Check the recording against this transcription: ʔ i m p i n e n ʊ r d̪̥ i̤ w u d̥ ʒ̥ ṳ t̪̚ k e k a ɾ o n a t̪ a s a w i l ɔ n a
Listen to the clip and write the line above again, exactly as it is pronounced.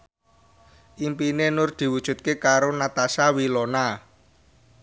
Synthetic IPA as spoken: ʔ i m p i n e n ʊ r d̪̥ i̤ w u d̥ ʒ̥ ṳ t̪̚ k e k a ɾ o n a t̪ a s a w i l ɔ n a